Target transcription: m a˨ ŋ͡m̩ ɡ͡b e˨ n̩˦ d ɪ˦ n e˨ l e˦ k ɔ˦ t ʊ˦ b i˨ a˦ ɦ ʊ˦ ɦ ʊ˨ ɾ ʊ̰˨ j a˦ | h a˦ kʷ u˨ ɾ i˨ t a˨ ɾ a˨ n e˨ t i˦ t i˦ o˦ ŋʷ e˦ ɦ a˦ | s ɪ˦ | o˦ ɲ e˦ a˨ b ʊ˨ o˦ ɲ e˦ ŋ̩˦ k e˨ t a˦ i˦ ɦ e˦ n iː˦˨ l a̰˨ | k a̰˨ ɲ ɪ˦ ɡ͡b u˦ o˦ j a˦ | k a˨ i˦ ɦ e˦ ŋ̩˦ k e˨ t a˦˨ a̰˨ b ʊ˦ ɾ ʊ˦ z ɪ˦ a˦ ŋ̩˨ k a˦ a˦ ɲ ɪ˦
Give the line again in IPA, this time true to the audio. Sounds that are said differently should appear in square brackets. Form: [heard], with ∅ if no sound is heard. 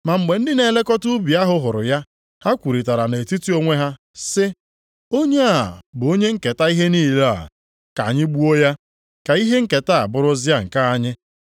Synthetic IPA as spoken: m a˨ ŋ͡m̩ ɡ͡b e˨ n̩˦ d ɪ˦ n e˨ l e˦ k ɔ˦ t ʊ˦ b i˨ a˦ ɦ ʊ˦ ɦ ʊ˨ ɾ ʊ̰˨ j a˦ | h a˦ kʷ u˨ ɾ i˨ t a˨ ɾ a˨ n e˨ t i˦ t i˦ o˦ ŋʷ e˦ ɦ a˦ | s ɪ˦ | o˦ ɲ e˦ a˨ b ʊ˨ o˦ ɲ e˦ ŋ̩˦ k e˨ t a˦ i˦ ɦ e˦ n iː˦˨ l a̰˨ | k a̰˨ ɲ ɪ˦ ɡ͡b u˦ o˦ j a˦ | k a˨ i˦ ɦ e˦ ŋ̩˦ k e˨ t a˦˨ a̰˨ b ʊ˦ ɾ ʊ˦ z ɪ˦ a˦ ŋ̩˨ k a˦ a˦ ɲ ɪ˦